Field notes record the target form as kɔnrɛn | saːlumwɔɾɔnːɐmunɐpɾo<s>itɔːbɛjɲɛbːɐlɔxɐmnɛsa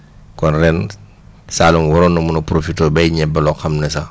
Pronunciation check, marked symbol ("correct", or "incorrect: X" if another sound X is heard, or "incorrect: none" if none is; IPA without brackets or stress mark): incorrect: f